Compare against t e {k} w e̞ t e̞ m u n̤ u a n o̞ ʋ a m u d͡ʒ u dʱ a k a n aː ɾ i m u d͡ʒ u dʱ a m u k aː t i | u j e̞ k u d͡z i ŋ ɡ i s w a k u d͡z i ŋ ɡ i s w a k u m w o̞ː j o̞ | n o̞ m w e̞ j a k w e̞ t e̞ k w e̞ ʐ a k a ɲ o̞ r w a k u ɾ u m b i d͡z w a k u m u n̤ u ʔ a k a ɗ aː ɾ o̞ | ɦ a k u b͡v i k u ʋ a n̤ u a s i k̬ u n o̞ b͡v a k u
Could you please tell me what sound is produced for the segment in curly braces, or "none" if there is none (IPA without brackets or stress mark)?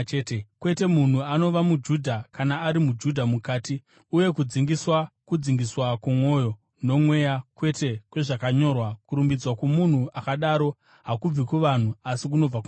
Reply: k